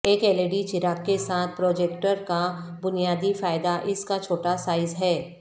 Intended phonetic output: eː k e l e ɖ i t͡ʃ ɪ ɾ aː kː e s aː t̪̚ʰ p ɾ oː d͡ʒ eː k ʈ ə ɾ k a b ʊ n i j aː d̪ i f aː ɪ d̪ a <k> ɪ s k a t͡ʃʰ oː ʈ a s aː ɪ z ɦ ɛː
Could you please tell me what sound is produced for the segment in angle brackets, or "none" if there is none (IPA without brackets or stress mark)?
ʔ